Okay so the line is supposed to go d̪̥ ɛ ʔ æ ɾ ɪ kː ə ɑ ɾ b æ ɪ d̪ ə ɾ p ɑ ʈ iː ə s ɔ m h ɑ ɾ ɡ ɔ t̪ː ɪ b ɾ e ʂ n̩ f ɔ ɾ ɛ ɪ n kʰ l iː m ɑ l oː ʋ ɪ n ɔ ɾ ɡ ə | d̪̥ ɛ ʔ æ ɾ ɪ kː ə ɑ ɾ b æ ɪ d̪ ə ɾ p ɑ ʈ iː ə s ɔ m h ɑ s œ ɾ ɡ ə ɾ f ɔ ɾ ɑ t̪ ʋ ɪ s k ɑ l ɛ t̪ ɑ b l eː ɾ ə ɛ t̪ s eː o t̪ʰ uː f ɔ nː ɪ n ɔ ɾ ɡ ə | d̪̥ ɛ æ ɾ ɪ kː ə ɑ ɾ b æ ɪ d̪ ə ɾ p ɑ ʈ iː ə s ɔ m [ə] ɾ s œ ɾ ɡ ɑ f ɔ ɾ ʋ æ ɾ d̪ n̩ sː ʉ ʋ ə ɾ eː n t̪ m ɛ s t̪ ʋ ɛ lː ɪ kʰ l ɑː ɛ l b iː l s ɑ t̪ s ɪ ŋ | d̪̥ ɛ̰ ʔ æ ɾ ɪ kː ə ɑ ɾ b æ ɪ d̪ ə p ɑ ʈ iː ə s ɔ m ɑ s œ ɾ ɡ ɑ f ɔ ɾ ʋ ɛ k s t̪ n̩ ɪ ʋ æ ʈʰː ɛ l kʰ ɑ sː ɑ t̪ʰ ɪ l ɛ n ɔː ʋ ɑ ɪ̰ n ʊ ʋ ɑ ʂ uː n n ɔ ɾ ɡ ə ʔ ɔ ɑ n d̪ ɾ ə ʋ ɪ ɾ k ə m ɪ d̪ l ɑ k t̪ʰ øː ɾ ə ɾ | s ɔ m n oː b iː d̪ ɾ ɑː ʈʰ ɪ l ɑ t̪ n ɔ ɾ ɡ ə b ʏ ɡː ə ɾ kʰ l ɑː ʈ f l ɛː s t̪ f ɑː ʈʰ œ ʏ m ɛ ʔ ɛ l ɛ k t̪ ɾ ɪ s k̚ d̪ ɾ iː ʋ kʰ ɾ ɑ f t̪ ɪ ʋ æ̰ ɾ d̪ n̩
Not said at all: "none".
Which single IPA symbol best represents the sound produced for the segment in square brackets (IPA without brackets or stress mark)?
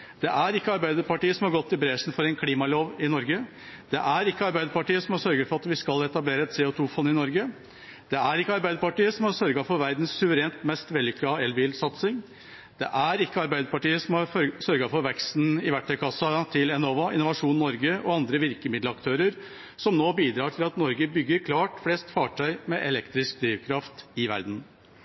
ɑ